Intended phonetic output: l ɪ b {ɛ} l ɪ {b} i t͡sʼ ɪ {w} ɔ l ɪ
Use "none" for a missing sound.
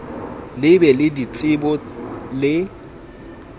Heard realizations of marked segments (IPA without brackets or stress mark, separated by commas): ɛ, d, b